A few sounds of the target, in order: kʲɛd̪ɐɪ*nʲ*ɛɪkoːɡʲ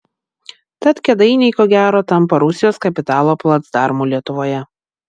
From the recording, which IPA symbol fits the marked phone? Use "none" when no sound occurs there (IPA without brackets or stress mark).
nʲ